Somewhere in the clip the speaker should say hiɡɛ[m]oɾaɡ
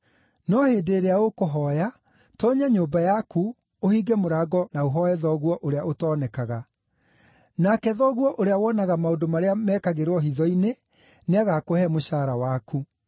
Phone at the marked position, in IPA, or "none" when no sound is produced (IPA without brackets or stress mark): m